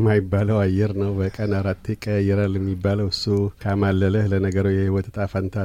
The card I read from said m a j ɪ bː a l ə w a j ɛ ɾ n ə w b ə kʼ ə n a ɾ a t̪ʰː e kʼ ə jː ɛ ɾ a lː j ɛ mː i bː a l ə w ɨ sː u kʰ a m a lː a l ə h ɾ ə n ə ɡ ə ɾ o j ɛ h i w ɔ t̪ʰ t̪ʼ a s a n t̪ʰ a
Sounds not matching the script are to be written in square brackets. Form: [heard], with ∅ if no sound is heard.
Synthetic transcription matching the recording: m a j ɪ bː a l ə w a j ɛ ɾ n ə w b ə kʼ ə n a ɾ a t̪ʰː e kʼ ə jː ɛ ɾ a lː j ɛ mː i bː a l ə w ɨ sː u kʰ a m a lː [ə] l ə h [l] ə n ə ɡ ə ɾ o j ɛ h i w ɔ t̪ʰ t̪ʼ a [f] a n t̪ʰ a